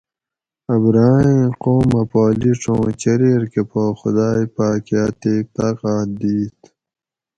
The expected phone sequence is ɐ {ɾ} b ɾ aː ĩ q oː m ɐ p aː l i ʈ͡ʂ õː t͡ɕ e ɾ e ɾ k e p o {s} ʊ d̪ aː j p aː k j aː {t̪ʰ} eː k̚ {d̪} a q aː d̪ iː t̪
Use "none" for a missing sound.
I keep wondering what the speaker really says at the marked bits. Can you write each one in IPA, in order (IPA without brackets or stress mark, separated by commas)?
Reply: none, x, t̪, t̪